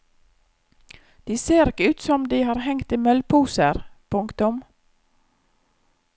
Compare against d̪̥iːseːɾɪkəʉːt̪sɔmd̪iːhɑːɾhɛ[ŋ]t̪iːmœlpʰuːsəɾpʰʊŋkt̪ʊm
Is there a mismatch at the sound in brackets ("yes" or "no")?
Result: no